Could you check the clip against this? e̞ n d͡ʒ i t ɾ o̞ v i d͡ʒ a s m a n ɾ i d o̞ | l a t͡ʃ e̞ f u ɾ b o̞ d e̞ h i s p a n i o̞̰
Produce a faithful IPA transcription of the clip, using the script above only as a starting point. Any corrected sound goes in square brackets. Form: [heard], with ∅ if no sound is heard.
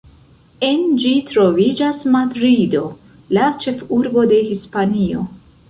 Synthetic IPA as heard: e̞ n d͡ʒ i t ɾ o̞ v i d͡ʒ a s m a [d] ɾ i d o̞ | l a t͡ʃ e̞ f u ɾ b o̞ d e̞ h i s p a n i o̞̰